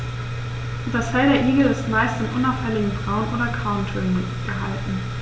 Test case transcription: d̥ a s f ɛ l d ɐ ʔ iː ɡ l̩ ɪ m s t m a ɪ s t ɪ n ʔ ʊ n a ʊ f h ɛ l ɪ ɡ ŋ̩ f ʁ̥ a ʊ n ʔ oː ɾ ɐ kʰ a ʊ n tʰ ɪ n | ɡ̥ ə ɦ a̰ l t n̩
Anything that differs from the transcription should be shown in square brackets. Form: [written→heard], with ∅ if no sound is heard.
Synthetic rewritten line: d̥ a s f ɛ l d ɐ ʔ iː ɡ l̩ ɪ [m→∅] s t m a ɪ s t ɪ n ʔ ʊ n a ʊ f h ɛ l ɪ ɡ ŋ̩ f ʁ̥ a ʊ n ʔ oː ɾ ɐ kʰ a ʊ n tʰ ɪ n | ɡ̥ ə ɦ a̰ l t n̩